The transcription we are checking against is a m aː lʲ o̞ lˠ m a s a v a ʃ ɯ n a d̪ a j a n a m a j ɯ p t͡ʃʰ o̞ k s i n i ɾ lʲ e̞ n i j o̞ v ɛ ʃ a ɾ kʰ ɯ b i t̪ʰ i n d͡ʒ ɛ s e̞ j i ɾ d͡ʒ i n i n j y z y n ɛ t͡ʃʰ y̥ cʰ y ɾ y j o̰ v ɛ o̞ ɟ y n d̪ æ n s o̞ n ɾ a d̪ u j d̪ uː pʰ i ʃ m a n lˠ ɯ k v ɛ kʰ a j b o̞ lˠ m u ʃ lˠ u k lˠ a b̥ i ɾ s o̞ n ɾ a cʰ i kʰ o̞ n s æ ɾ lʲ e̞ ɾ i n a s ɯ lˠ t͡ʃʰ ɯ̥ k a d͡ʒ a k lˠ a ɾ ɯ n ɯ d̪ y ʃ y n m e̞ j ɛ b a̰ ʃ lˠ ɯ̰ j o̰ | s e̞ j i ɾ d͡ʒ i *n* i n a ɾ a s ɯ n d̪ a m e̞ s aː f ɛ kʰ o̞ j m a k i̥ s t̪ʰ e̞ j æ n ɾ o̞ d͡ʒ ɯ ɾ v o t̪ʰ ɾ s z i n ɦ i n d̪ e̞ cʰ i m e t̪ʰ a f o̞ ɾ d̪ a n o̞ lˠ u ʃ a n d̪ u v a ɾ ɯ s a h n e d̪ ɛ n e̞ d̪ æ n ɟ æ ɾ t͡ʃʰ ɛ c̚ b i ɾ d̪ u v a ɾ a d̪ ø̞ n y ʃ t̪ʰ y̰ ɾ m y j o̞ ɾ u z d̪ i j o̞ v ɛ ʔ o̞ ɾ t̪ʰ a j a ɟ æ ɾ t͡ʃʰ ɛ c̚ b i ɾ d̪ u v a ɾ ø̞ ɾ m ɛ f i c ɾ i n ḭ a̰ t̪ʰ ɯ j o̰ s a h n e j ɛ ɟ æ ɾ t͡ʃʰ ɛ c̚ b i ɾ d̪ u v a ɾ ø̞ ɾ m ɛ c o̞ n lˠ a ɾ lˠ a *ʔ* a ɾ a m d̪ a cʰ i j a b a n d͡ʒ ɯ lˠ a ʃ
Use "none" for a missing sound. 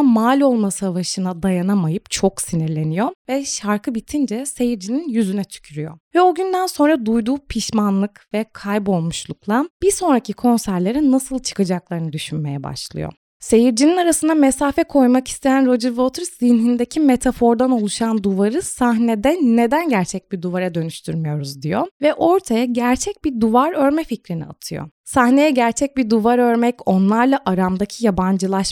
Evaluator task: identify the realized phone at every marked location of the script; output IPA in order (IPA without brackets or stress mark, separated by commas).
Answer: n, ʔ